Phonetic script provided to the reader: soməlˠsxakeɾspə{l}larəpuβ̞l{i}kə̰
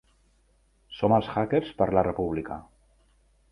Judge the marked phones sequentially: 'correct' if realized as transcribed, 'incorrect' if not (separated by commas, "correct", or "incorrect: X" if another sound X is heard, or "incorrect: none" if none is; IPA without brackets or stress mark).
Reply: incorrect: ɾ, correct